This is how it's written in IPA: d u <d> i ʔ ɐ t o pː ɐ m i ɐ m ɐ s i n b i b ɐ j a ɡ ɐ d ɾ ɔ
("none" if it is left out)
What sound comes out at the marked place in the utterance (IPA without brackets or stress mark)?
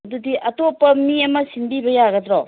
d